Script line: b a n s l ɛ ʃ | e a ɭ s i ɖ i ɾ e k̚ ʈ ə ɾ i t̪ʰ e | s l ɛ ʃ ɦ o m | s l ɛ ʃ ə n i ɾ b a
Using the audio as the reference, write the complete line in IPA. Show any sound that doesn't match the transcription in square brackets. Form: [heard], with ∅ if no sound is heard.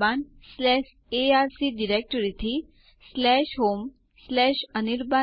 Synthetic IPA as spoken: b a n s l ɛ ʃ | e a [ɾ] s i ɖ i ɾ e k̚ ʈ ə ɾ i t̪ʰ [i] | s l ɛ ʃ ɦ o m | s l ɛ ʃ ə n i ɾ b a